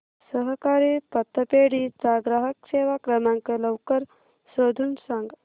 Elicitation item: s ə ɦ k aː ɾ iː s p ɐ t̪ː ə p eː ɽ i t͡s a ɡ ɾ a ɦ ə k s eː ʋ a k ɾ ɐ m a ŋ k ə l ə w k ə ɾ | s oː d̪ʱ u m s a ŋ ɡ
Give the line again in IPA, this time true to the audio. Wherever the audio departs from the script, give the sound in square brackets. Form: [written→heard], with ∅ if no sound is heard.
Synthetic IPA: s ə ɦ k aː ɾ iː [s→∅] p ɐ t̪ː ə p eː ɽ i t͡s a ɡ ɾ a ɦ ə k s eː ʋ a k ɾ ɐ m a ŋ k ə l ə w k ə ɾ | s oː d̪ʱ u [m→n] s a ŋ ɡ